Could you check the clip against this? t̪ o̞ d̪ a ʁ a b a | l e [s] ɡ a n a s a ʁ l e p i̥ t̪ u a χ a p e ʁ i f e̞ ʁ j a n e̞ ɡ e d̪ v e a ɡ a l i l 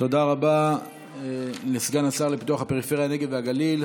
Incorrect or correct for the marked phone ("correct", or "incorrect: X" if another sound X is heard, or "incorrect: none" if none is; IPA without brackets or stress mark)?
correct